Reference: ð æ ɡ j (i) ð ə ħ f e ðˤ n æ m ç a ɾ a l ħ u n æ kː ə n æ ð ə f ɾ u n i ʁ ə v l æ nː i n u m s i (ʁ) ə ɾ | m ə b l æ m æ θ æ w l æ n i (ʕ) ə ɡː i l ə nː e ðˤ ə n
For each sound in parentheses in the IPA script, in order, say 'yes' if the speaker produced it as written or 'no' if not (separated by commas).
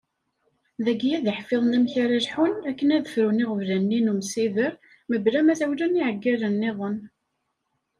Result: no, no, yes